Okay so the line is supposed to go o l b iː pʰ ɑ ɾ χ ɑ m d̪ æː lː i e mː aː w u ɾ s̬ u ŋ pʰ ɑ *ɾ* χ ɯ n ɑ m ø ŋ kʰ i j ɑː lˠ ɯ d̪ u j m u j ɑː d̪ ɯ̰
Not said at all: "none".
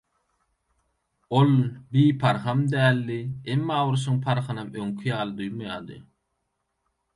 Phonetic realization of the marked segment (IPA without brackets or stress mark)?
ɾ